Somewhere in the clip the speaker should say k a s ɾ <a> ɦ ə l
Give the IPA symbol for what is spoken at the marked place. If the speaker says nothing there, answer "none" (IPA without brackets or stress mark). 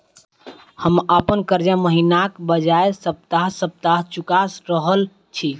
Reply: ə